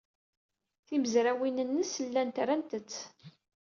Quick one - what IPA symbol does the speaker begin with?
θ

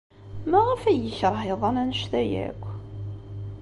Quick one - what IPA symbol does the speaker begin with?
m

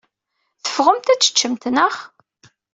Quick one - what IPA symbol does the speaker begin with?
θ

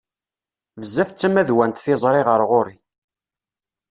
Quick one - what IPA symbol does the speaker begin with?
v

